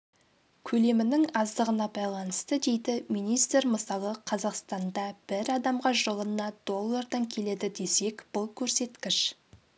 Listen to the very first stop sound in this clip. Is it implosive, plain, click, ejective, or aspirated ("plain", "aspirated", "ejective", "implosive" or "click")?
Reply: aspirated